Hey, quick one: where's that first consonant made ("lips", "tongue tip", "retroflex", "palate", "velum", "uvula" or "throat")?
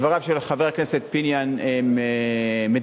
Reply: lips